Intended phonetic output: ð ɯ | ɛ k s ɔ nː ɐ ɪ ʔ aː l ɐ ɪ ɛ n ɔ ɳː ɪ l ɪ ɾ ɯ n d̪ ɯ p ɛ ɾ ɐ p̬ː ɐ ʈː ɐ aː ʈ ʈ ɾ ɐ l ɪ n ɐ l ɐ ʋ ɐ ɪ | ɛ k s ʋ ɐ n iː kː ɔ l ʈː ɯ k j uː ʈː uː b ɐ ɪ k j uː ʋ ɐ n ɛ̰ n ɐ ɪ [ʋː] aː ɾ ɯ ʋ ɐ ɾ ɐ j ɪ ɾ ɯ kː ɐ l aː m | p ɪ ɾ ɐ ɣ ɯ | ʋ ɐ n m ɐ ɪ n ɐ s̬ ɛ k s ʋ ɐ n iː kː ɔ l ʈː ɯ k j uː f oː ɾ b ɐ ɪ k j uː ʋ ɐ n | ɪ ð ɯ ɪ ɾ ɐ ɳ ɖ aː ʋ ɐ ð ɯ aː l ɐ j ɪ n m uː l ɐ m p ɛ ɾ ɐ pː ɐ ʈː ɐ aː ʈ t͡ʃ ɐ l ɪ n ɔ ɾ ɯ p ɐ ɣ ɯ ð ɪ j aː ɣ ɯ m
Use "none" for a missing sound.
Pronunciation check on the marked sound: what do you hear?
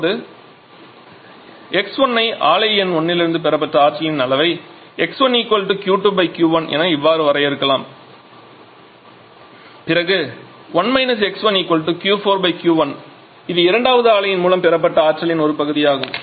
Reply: ʋː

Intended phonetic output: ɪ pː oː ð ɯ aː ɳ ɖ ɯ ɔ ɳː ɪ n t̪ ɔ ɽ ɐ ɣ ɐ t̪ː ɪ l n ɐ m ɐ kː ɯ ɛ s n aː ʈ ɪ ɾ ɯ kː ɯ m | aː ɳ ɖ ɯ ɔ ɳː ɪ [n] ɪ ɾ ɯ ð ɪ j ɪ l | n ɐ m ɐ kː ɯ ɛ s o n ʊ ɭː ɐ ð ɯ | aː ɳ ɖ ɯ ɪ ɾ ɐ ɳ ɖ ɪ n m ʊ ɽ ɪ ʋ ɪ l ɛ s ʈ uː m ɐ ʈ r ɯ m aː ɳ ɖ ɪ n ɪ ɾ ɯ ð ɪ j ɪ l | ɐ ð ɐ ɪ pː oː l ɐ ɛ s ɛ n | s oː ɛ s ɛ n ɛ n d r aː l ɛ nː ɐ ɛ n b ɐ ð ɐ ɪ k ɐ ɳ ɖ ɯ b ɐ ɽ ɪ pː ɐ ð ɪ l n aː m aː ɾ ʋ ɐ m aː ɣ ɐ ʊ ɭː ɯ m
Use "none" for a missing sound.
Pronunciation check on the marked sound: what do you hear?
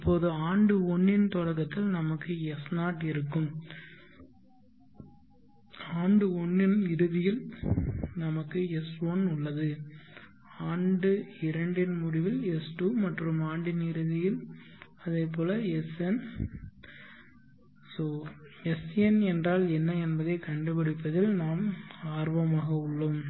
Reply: n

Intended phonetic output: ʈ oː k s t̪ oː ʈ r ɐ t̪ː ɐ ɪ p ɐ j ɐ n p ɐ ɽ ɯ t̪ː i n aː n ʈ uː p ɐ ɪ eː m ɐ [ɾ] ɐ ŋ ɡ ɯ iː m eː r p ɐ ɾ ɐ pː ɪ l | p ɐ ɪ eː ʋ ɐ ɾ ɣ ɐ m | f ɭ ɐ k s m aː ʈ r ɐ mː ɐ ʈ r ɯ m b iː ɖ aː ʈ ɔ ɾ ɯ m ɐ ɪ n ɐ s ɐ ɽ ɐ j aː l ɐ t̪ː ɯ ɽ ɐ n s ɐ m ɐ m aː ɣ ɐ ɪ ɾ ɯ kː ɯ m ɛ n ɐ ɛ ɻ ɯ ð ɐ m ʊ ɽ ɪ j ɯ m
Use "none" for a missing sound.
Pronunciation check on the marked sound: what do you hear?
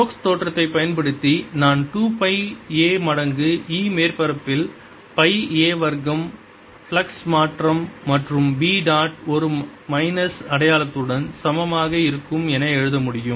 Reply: ɽ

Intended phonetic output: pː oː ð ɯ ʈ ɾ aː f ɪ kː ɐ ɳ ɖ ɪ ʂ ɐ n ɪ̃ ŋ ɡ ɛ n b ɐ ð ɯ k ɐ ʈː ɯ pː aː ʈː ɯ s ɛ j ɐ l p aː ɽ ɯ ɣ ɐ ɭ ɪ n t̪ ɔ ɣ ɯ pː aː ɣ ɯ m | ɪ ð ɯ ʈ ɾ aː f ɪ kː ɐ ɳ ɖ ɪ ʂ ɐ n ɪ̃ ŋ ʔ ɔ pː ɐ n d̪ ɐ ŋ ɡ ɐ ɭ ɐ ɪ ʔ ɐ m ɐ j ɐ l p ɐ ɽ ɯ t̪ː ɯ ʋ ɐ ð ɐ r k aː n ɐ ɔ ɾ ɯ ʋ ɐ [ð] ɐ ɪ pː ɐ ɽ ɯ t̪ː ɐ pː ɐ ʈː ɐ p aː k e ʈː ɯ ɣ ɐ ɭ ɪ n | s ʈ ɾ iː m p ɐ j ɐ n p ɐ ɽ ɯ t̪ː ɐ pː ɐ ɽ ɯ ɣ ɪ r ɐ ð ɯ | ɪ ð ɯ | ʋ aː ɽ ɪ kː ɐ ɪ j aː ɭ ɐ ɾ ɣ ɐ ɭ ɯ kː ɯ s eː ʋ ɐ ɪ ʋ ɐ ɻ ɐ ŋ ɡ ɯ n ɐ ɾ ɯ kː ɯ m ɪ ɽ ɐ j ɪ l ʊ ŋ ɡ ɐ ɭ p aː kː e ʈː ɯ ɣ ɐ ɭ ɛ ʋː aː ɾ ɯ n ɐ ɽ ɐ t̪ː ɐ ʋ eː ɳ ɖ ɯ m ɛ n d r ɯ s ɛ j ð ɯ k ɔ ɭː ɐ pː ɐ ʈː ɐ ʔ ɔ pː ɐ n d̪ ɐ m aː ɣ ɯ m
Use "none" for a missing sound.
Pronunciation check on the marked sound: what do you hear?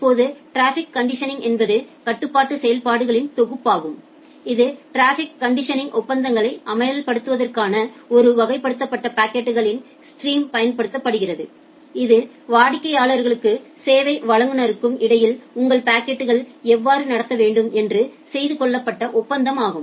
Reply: ɣ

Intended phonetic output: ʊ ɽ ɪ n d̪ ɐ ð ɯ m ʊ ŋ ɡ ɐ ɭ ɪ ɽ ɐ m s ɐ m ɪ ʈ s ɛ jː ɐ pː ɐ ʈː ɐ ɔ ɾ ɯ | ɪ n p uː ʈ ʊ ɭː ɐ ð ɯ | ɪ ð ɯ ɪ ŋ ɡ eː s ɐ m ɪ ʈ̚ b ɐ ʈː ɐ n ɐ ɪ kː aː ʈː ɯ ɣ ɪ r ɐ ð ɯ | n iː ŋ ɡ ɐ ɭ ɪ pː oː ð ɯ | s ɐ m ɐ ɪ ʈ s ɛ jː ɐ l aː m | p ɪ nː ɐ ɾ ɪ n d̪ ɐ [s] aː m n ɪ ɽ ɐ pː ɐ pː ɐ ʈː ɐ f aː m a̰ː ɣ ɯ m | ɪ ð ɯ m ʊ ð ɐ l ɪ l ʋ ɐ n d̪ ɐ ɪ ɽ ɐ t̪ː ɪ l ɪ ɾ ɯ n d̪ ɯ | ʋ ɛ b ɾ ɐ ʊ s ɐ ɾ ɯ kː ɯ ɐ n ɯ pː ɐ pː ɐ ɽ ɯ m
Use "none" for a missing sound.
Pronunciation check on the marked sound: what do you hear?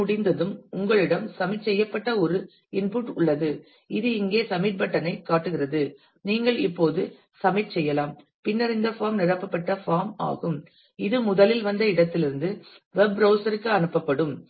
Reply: f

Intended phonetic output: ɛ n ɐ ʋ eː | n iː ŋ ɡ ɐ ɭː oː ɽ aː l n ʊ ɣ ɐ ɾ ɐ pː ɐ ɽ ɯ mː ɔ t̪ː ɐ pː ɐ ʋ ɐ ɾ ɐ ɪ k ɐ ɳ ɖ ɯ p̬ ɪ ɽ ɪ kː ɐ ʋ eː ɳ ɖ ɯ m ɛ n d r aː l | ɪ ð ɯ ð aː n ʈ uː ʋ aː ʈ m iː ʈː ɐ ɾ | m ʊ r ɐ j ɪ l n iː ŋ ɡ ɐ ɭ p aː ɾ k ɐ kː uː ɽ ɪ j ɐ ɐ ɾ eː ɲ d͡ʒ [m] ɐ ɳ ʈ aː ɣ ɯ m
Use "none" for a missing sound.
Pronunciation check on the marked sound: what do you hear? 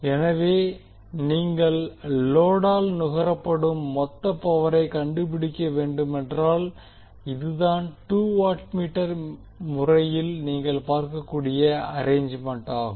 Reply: m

